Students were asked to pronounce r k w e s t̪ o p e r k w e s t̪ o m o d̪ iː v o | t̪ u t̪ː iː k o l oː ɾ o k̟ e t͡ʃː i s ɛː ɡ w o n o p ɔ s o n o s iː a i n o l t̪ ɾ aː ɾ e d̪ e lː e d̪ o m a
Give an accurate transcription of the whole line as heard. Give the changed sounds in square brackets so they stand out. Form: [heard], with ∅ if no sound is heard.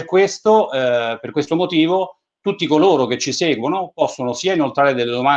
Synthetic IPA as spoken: r k w e s t̪ o p e r k w e s t̪ o m o [t̪] iː v o | t̪ u t̪ː [i] k o l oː ɾ o k̟ e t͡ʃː i s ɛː ɡ w o n o p ɔ [sː] o n o s iː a i n o l t̪ ɾ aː ɾ e d̪ e lː e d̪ o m a